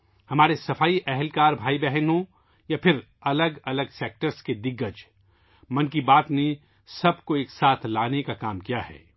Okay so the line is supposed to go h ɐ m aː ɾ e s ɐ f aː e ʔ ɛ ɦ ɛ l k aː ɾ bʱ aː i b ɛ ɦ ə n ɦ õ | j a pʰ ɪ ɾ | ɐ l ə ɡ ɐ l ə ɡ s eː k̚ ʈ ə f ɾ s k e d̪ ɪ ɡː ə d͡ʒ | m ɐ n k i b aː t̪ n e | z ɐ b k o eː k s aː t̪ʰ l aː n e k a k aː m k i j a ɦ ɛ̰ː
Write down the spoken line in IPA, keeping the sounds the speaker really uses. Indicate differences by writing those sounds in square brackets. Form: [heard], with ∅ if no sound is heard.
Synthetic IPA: h ɐ m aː ɾ e s ɐ f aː [i] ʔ ɛ ɦ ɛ l k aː ɾ bʱ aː i b ɛ ɦ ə n ɦ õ | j a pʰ ɪ ɾ | ɐ l ə ɡ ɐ l ə ɡ s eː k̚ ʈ ə [∅] ɾ s k e d̪ ɪ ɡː ə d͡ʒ | m ɐ n k i b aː t̪ n e | [s] ɐ b k o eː k s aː t̪ʰ l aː n e k a k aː m k i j a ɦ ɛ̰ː